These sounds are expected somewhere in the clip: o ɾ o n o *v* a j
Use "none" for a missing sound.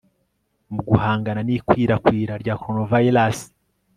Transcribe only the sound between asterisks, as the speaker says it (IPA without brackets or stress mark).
v